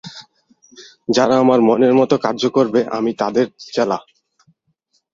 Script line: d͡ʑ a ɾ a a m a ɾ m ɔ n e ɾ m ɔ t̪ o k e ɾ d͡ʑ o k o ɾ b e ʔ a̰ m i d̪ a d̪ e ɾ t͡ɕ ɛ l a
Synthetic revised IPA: d͡ʑ a ɾ a a m a ɾ m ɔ n e ɾ m ɔ t̪ o k a ɾ d͡ʑ o k o ɾ b e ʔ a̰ m i t̪ a d̪ e ɾ t͡ɕ ɛ l a